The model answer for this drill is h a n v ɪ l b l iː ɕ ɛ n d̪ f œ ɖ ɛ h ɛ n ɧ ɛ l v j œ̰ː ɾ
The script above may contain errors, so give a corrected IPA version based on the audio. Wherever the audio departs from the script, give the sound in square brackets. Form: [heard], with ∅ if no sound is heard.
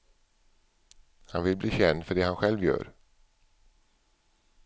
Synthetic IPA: h a n v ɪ l b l iː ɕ ɛ n d̪ f œ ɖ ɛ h [a] n ɧ ɛ l v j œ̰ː ɾ